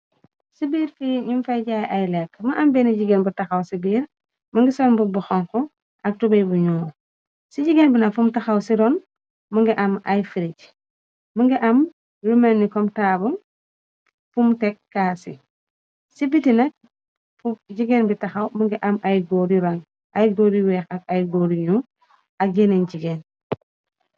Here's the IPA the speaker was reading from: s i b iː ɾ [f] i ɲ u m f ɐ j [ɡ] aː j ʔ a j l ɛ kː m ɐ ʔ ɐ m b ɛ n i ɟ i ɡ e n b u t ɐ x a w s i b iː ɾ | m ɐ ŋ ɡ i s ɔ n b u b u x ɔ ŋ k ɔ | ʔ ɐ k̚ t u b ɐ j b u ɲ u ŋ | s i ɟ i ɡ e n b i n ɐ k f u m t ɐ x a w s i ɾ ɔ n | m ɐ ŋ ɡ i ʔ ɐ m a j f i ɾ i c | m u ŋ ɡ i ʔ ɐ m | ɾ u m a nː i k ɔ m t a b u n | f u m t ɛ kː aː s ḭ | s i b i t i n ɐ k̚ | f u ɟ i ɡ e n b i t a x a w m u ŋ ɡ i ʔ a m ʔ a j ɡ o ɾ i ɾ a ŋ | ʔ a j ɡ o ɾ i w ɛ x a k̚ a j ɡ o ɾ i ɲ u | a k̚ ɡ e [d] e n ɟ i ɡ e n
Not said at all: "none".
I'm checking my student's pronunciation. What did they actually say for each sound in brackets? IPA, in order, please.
f, ɟ, n

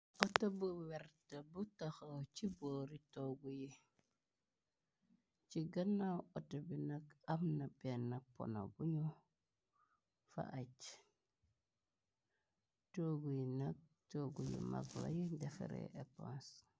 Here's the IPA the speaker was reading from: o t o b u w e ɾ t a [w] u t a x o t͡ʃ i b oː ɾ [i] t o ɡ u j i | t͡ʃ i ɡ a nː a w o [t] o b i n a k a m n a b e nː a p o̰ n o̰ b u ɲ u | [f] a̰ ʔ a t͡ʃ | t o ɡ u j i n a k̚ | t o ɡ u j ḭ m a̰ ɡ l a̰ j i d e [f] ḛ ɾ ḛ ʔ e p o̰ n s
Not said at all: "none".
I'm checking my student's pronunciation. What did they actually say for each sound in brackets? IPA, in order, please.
b, i, t, f, f

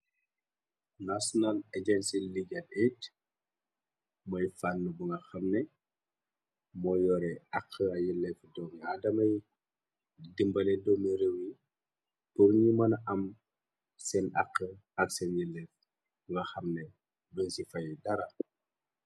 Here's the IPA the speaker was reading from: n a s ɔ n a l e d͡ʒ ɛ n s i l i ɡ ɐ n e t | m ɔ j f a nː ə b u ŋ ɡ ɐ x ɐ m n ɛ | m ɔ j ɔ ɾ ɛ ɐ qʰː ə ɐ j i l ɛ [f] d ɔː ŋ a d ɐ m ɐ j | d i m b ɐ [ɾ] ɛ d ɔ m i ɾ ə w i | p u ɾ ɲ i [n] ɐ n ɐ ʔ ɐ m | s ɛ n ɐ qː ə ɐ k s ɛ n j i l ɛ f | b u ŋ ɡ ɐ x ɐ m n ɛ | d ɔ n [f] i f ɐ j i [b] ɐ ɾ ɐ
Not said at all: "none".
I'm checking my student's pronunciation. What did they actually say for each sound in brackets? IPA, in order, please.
f, l, m, s, d

